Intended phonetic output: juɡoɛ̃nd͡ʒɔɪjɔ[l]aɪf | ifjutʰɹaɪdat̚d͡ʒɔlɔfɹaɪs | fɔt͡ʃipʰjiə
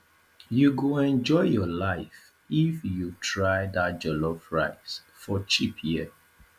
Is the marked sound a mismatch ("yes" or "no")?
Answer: no